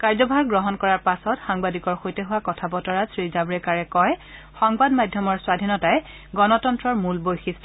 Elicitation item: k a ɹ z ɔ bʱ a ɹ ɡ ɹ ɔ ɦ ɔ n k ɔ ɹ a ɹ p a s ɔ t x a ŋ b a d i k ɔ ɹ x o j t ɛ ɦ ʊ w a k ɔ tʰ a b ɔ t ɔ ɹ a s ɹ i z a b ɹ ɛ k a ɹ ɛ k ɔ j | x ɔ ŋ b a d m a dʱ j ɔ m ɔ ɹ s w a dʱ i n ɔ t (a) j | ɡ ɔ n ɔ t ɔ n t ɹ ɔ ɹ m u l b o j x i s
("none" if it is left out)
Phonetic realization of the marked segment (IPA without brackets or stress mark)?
a